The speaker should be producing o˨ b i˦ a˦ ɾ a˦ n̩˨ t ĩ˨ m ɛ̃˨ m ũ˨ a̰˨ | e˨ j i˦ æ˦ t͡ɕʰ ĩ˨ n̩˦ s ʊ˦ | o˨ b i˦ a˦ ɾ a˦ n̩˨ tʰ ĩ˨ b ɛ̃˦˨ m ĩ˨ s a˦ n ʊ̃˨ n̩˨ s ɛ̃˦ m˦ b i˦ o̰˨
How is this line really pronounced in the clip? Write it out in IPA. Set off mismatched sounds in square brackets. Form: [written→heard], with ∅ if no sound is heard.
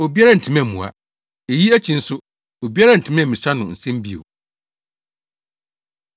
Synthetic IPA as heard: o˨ b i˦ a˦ ɾ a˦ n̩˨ [t→tʰ] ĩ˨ m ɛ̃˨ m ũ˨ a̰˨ | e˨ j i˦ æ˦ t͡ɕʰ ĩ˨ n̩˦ s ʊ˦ | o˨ b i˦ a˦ ɾ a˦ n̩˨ tʰ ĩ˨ [b→m] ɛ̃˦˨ m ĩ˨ s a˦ n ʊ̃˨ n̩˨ s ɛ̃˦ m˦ b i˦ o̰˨